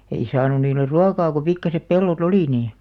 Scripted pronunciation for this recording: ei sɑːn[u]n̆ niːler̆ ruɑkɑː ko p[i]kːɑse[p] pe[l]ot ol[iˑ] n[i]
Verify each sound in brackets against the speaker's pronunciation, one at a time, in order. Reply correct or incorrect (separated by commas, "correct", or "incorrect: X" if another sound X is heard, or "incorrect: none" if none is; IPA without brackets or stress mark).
correct, correct, correct, incorrect: lː, correct, incorrect: iː